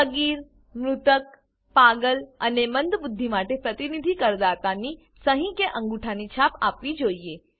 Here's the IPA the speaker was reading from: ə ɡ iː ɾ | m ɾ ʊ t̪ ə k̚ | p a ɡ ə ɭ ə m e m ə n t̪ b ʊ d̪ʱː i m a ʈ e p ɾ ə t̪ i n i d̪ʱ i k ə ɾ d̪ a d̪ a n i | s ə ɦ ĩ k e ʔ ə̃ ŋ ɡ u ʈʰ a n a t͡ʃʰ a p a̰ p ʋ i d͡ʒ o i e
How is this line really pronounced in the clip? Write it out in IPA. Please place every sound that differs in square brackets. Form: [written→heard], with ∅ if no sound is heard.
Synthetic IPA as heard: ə ɡ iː ɾ | m ɾ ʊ t̪ ə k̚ | p a ɡ ə [ɭ→l] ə [m→n] e m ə n [t̪→d̪] b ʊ d̪ʱː i m a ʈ e p ɾ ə t̪ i n i d̪ʱ i k ə ɾ d̪ a [d̪→t̪] a n i | s ə ɦ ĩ k e ʔ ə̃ ŋ ɡ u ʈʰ a n [a→i] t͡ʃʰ a p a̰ p ʋ i d͡ʒ o i e